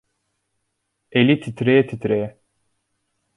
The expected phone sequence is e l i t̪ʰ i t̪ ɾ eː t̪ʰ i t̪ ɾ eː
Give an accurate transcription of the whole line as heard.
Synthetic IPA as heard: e l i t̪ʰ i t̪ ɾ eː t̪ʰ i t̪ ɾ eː